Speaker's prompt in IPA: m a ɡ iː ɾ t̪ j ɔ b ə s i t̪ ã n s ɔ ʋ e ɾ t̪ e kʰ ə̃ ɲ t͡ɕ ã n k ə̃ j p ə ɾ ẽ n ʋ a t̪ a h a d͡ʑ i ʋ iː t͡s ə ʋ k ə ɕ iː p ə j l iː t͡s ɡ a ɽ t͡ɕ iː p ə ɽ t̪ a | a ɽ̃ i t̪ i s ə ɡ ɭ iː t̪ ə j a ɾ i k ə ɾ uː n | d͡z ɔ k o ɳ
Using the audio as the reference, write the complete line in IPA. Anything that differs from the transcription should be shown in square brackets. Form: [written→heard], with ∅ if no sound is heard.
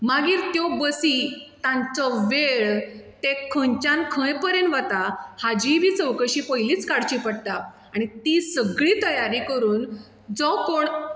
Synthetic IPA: m a ɡ iː ɾ t̪ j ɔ b ə s i t̪ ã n [s→t͡s] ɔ ʋ e [ɾ→ɭ] t̪ e kʰ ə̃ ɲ t͡ɕ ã n [k→kʰ] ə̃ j p ə ɾ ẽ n ʋ a t̪ a h a d͡ʑ i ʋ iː t͡s ə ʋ k ə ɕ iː p ə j l iː t͡s [ɡ→k] a ɽ t͡ɕ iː p ə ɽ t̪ a | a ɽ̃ i t̪ i s ə ɡ ɭ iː t̪ ə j a ɾ i k ə ɾ uː n | d͡z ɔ k o ɳ